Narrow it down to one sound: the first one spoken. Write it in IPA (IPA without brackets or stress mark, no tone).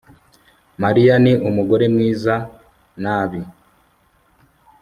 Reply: m